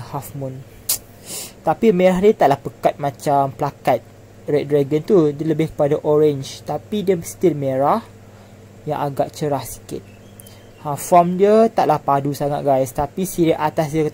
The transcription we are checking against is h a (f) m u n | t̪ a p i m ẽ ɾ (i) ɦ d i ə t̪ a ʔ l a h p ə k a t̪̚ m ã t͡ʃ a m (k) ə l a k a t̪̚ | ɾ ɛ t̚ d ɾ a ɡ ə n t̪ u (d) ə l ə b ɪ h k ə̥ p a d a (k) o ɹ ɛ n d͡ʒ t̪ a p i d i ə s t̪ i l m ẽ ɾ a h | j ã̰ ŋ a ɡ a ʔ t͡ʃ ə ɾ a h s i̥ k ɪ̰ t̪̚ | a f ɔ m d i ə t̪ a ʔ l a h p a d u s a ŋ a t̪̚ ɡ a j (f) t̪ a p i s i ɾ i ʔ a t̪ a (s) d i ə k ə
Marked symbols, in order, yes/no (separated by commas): yes, no, no, yes, no, no, yes